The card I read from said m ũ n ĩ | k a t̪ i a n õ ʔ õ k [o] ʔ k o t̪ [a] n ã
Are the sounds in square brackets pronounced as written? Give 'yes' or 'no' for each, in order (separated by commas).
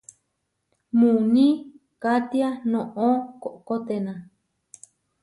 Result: yes, no